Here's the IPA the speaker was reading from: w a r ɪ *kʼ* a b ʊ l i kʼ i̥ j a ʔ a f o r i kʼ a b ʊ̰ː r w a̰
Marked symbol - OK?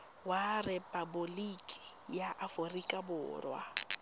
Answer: no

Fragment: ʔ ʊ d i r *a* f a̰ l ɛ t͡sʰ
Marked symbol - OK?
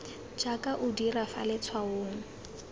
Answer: yes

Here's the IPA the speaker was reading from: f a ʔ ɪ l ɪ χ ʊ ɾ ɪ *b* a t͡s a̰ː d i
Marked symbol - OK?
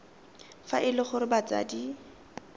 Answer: yes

